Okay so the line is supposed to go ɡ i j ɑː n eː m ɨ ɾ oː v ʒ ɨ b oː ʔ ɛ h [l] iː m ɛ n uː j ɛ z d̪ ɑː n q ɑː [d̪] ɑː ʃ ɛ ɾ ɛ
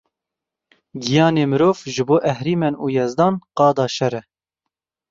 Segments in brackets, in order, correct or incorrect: incorrect, correct

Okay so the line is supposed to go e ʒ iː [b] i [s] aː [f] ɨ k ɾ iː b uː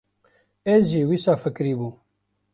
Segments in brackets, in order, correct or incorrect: incorrect, correct, correct

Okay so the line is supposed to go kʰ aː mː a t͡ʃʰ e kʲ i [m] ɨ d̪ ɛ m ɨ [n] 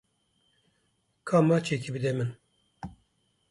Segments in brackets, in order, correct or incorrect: incorrect, correct

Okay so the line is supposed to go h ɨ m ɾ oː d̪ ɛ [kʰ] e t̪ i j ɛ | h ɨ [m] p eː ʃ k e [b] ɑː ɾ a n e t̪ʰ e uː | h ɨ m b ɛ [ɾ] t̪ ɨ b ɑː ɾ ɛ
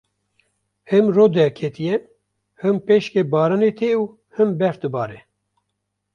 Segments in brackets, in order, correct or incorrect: correct, correct, correct, correct

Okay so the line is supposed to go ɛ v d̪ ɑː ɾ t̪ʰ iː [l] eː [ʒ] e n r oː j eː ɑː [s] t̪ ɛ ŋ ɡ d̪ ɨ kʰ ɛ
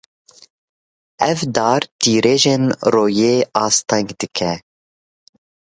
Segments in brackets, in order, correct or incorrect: incorrect, correct, correct

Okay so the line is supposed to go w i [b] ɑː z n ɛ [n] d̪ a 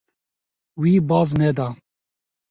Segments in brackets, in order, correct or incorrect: correct, incorrect

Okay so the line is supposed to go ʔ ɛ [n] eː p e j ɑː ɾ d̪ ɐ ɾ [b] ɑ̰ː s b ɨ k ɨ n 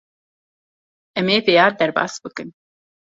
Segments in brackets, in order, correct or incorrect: incorrect, correct

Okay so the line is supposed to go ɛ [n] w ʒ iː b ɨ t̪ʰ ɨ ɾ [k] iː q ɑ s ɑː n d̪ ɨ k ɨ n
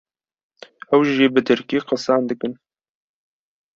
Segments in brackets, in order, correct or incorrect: incorrect, correct

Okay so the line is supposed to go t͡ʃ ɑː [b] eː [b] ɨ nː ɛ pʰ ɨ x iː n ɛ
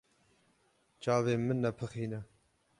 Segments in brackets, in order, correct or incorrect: incorrect, incorrect

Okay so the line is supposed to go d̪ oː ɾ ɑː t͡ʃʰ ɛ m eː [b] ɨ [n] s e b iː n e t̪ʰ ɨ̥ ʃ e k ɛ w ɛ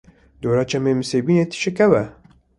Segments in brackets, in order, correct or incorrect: incorrect, incorrect

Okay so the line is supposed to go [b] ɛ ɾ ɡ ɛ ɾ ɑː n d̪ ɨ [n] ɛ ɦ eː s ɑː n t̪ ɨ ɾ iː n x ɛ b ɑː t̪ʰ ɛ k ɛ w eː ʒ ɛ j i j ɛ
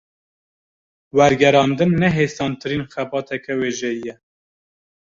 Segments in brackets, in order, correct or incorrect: incorrect, incorrect

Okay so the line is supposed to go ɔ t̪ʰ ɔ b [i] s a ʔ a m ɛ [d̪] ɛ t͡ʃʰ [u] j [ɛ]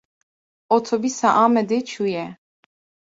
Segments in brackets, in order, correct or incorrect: correct, correct, correct, correct

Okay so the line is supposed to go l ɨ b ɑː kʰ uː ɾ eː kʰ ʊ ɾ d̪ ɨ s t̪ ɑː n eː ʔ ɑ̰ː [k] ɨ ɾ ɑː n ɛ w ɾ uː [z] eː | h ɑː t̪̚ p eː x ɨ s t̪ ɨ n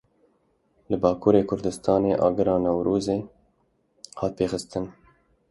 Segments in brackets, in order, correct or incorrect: incorrect, correct

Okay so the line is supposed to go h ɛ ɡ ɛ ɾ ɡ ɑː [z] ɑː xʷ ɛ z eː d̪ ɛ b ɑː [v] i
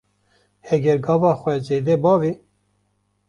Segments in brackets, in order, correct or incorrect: incorrect, correct

